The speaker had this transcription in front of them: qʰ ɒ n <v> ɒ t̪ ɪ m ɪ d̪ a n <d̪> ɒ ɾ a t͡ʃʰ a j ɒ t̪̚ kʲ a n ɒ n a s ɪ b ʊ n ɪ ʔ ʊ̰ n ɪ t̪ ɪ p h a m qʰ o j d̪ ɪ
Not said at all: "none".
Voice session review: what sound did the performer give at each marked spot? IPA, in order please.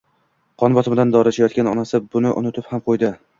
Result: b, d̪

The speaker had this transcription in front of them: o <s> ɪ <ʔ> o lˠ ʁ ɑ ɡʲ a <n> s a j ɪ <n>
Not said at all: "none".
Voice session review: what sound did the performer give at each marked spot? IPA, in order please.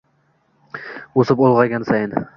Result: s, p, n, n

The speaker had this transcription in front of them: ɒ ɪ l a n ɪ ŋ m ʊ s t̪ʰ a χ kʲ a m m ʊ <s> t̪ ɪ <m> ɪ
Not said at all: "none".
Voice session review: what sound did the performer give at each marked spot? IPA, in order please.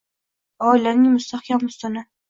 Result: s, n

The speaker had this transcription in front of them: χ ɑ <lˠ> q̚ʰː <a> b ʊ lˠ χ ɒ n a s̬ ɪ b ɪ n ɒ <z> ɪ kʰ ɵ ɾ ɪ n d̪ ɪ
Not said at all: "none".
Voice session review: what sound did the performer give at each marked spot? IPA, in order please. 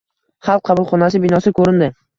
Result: lˠ, ɑ, s

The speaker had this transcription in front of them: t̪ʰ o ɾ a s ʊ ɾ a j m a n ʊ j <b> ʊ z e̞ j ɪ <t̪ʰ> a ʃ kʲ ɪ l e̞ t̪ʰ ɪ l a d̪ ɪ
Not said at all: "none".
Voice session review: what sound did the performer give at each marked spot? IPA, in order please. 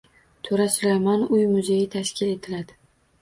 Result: m, t̪ʰ

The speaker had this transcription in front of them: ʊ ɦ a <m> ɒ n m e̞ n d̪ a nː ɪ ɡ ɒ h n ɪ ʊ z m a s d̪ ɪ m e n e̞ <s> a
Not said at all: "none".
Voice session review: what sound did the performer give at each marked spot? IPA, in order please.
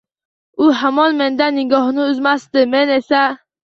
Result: m, s

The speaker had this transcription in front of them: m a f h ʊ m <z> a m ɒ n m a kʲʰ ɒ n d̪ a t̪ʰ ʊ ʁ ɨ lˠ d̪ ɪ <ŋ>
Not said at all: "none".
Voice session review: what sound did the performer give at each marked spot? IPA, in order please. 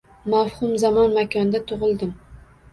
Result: z, m

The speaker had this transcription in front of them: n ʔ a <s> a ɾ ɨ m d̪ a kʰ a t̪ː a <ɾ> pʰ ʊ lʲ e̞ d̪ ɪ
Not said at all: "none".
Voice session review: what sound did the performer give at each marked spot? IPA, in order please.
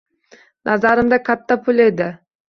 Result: z, none

